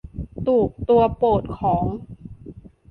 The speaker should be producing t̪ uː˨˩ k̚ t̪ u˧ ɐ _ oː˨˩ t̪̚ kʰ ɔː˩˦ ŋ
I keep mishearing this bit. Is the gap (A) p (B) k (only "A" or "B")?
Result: A